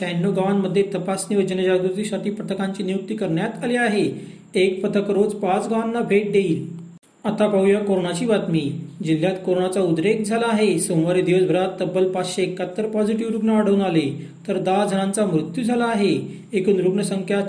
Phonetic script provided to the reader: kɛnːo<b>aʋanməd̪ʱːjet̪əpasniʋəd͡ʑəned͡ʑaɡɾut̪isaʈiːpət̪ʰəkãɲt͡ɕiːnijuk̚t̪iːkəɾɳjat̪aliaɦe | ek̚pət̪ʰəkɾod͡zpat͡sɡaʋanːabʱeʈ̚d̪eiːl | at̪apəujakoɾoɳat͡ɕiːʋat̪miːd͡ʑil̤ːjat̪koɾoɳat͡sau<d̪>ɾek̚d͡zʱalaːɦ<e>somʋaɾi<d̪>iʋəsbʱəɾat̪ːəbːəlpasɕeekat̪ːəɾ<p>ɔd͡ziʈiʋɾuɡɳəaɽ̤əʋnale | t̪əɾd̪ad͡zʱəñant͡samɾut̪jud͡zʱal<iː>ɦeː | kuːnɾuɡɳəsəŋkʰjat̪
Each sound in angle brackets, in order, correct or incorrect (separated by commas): incorrect, correct, correct, correct, correct, incorrect